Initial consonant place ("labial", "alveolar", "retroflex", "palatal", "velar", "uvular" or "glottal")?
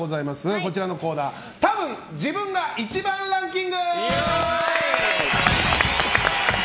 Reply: alveolar